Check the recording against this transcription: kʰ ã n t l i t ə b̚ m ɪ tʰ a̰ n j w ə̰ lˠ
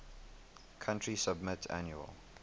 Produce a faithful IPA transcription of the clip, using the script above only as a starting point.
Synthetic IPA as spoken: kʰ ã n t ɹ i s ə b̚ m ɪ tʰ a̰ n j u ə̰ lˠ